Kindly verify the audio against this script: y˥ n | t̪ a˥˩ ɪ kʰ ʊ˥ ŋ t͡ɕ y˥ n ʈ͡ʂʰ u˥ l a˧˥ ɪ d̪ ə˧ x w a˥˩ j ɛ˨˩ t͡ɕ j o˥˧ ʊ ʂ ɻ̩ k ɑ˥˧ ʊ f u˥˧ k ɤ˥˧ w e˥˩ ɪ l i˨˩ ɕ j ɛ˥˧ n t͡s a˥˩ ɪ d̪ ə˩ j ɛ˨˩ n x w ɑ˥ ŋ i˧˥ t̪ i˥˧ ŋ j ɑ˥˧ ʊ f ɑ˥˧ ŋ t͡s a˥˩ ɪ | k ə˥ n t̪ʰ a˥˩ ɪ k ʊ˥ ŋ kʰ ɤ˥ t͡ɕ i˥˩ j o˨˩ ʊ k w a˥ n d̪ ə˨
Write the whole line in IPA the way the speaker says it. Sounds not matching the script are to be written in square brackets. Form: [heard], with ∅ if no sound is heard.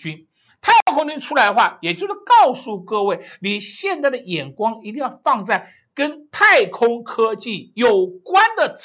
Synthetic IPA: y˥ n | [t̪ʰ] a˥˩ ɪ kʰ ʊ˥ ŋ t͡ɕ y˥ n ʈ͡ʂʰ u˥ l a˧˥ ɪ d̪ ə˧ x w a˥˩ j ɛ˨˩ t͡ɕ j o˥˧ ʊ ʂ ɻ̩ k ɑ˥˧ ʊ [s] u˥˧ k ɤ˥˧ w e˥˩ ɪ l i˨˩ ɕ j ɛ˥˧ n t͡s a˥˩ ɪ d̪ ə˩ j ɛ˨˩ n [k] w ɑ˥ ŋ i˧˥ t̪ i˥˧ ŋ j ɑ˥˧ ʊ f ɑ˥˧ ŋ t͡s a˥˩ ɪ | k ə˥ n t̪ʰ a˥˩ ɪ [kʰ] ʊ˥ ŋ kʰ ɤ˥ t͡ɕ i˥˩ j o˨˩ ʊ k w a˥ n d̪ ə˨